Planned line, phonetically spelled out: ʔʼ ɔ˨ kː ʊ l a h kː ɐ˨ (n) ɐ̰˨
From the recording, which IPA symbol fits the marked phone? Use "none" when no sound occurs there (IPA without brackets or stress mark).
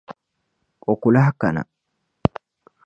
n